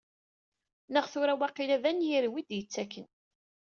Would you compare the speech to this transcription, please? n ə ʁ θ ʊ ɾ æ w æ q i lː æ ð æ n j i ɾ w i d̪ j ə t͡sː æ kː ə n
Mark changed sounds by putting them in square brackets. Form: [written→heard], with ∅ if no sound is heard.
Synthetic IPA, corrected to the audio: n ə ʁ θ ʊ ɾ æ w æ q i [lː→l] æ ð æ n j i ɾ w i d̪ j ə t͡sː æ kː ə n